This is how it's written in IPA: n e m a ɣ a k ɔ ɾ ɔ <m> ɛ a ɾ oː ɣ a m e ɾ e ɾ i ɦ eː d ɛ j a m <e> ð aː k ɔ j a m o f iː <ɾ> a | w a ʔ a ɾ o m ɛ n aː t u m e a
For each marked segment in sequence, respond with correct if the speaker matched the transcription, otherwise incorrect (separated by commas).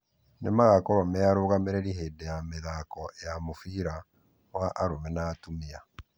correct, correct, correct